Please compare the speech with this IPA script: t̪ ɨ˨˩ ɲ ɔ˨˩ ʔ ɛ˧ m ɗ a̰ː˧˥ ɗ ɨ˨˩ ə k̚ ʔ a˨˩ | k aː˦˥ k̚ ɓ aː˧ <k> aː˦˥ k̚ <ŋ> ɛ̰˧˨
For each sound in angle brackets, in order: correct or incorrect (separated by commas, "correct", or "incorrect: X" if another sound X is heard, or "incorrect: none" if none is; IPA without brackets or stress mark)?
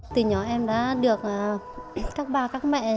correct, incorrect: m